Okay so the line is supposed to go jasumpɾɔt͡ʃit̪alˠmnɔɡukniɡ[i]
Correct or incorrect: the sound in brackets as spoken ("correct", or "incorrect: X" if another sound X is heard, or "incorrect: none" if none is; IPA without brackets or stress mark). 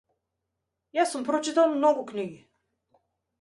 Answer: correct